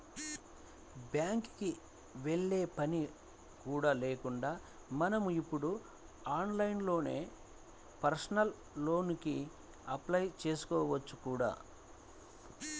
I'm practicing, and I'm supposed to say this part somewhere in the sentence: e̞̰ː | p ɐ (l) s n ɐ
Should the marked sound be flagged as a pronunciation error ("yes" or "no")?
yes